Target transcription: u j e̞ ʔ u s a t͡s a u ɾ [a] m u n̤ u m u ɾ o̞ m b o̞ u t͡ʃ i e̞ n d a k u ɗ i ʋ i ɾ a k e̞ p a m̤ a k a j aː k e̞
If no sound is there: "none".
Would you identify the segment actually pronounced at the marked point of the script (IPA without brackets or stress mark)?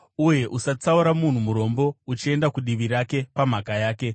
a